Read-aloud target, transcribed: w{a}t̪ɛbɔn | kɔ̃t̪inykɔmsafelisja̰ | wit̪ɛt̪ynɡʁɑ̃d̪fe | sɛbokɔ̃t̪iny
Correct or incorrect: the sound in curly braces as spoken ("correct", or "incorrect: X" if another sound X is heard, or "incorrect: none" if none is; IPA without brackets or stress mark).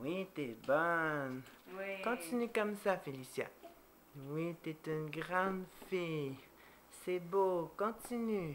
incorrect: i